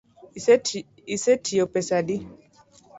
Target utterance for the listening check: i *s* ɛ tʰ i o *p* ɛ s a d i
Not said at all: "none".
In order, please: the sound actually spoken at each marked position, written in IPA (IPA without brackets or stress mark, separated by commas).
s, p